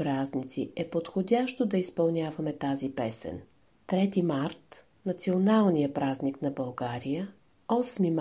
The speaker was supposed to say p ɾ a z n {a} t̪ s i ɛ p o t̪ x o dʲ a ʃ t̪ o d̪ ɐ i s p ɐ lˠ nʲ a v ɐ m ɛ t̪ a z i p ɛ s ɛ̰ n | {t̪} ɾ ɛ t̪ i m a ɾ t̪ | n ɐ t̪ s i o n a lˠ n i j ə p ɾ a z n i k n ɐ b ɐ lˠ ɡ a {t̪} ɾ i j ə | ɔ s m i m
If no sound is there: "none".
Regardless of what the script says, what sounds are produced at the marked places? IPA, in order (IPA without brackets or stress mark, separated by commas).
i, t̪, none